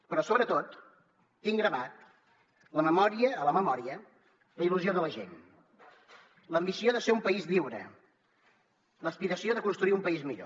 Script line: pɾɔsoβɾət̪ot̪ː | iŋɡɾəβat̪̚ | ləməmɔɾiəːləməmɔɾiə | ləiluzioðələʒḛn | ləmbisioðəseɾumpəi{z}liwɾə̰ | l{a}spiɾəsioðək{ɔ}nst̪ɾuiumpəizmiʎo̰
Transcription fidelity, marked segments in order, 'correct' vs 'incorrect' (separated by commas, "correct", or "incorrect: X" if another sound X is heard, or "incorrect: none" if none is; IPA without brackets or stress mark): correct, incorrect: ə, incorrect: u